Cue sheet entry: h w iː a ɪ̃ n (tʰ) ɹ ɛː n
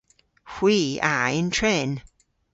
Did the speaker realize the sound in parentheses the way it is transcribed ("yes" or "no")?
yes